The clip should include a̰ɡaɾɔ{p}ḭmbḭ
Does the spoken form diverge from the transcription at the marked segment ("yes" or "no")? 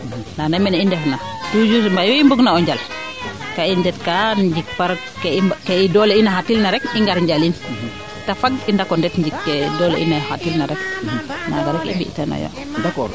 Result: yes